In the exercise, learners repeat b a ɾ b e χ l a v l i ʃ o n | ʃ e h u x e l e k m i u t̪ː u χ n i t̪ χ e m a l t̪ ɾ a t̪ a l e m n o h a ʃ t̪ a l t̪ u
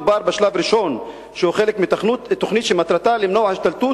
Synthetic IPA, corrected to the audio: b a ɾ b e ʃ l a v ɾ i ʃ o n | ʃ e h u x e l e k m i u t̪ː o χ n i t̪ ʃ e m a t̪ ɾ a t̪ a l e m n o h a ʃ t̪ a l t̪ u